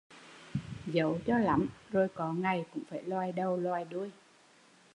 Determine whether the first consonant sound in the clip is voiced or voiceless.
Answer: voiced